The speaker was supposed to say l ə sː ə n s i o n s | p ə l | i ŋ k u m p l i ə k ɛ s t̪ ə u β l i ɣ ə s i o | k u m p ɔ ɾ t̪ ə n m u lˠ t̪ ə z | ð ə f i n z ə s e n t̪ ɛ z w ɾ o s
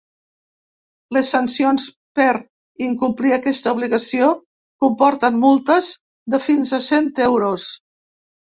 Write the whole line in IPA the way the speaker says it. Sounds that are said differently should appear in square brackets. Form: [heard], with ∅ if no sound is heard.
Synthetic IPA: l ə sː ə n s i o n s | p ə [ɾ] | i ŋ k u m p l i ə k ɛ s t̪ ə u β l i ɣ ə s i o | k u m p ɔ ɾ t̪ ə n m u lˠ t̪ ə z | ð ə f i n z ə s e n t̪ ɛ [∅] w ɾ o s